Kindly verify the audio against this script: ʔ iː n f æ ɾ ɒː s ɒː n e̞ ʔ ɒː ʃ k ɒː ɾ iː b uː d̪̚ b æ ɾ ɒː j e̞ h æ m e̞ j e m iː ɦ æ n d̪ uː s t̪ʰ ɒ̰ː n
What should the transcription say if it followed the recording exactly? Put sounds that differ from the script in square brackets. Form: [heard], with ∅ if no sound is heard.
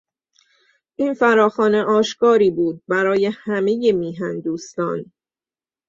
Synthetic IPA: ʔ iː n f æ ɾ ɒː [x] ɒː n e̞ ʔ ɒː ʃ k ɒː ɾ iː b uː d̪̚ b æ ɾ ɒː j e̞ h æ m e̞ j e m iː ɦ æ n d̪ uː s [t̪] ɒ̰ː n